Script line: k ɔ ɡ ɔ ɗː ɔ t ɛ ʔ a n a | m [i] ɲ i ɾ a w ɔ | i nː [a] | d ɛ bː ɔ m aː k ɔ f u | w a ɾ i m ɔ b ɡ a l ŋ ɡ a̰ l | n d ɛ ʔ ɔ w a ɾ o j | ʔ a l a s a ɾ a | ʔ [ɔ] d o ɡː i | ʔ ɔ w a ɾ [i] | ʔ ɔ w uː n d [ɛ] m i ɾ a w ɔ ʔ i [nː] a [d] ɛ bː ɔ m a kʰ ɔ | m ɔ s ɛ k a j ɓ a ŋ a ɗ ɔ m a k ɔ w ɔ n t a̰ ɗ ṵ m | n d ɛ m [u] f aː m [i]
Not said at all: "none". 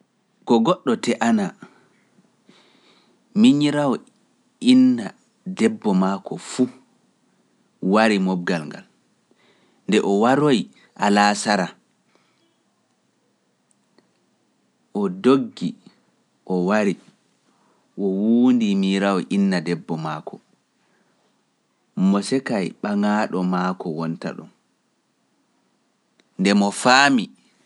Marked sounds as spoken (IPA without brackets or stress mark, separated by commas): i, a, ɔ, i, i, nː, d, ɔ, i